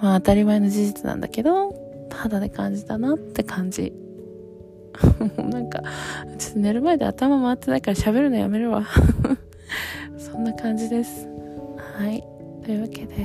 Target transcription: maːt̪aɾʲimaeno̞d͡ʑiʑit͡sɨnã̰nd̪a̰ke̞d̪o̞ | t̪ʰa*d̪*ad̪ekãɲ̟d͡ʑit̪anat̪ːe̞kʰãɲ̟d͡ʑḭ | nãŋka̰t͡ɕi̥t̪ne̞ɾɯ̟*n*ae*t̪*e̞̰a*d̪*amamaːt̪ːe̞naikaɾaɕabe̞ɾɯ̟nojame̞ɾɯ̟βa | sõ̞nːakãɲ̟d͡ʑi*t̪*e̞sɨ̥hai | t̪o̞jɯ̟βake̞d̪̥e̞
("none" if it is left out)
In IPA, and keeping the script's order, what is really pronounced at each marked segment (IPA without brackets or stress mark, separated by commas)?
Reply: d̪, m, d̪, t̪, d̪